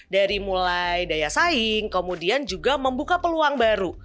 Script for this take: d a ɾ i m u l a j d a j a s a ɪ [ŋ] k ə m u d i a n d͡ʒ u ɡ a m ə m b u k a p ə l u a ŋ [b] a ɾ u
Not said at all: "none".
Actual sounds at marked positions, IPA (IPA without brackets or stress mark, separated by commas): ŋ, b